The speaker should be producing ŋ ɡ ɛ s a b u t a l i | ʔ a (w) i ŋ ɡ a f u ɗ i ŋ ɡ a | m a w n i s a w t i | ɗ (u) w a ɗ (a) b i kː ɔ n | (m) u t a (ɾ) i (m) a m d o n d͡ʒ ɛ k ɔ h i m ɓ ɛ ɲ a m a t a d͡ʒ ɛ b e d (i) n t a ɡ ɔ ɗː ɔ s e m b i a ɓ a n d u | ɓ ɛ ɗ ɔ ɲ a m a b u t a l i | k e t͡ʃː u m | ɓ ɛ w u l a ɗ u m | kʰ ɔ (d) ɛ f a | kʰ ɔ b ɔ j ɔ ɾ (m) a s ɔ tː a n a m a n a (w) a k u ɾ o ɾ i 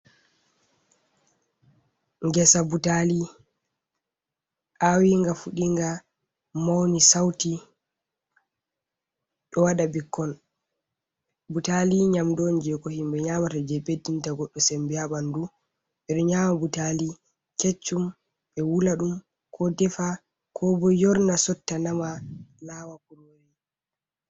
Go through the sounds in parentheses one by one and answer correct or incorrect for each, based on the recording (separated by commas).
correct, incorrect, correct, incorrect, incorrect, incorrect, correct, correct, incorrect, correct